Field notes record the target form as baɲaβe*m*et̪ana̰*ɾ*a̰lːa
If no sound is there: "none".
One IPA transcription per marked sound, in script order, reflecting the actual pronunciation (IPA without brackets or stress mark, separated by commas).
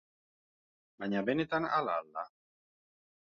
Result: n, l